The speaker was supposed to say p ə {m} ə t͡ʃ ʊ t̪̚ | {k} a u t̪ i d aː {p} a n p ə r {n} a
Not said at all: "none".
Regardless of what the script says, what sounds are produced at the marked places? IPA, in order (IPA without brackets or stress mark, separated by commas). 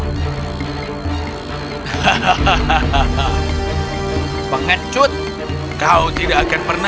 ŋ, k, k, n